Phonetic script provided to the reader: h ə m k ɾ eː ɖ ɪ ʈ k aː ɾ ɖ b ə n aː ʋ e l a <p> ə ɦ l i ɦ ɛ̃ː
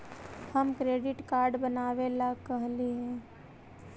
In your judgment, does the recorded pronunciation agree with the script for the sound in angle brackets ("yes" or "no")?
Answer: no